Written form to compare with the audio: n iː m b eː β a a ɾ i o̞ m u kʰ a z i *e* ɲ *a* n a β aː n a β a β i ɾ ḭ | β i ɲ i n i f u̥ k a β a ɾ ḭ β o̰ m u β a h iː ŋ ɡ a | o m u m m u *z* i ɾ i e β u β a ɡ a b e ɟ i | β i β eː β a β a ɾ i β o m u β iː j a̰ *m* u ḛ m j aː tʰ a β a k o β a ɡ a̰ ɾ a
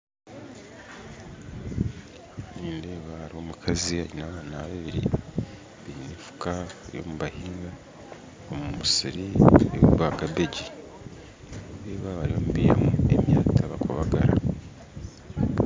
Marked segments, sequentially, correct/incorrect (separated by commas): incorrect, incorrect, incorrect, correct